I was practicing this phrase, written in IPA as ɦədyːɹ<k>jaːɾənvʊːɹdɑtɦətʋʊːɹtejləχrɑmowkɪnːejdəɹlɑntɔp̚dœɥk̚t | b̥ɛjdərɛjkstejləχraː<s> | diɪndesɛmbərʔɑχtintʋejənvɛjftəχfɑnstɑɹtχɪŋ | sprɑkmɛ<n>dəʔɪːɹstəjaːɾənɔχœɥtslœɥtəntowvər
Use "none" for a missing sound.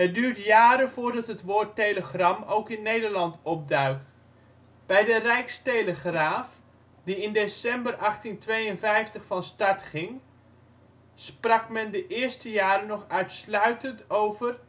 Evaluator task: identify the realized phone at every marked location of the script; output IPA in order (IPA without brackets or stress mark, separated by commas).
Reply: t, f, n